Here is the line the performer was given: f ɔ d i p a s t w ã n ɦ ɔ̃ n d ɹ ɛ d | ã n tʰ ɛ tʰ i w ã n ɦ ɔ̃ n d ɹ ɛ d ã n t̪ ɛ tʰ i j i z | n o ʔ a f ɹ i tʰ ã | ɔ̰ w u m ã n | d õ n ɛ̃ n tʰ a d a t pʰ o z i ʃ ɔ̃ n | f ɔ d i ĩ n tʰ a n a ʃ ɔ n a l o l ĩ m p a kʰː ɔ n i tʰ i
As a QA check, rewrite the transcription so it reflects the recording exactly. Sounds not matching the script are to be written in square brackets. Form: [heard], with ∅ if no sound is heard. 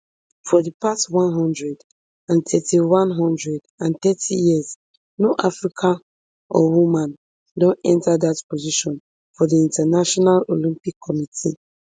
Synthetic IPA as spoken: f ɔ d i p a s t w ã n ɦ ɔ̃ n d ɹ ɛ d | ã n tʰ ɛ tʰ i w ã n ɦ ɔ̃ n d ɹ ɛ d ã n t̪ ɛ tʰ i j i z | n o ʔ a f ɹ i [kʰ] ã | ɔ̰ w u m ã n | d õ n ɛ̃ n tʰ a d a t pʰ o z i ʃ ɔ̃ n | f ɔ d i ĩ n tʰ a n a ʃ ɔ n a l o l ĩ m p [i] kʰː ɔ [m] i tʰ i